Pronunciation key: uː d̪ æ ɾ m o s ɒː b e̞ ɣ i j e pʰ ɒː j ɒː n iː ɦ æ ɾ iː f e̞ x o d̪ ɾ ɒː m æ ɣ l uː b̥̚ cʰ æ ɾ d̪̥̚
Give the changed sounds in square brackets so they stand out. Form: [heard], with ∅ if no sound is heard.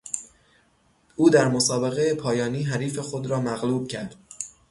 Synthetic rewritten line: uː d̪ æ ɾ m o s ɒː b e̞ ɣ [e] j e pʰ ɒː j ɒː n iː ɦ æ ɾ iː f e̞ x o d̪ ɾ ɒː m æ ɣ l uː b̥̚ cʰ æ ɾ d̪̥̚